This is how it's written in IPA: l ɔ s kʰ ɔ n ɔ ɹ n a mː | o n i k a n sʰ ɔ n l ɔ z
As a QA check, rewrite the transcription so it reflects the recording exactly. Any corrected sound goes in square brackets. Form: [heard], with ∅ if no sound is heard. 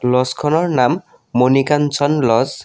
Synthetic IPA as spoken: l ɔ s kʰ ɔ n ɔ ɹ n a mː | o n i k a n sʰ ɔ n l ɔ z